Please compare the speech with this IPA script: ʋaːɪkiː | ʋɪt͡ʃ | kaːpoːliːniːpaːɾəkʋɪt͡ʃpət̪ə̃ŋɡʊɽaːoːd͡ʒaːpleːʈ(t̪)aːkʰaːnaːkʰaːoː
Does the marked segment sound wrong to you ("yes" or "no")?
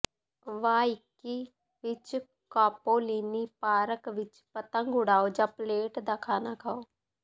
yes